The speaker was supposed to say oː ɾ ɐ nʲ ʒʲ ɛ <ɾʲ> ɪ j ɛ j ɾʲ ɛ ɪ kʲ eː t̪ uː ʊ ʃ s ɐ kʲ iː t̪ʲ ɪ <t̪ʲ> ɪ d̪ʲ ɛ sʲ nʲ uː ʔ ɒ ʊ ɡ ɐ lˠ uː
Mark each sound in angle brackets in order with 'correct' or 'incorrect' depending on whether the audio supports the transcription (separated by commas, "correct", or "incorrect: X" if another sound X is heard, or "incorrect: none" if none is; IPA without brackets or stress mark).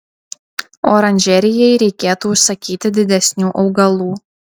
correct, incorrect: d̪ʲ